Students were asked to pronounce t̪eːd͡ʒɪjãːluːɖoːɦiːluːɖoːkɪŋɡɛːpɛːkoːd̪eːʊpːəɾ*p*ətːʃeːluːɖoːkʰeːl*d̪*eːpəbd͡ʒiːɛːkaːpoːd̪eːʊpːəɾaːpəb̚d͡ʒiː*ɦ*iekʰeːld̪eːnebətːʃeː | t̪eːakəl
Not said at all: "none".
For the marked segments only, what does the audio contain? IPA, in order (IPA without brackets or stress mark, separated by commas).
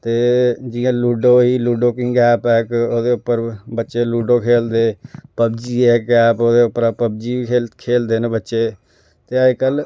b, d̪, none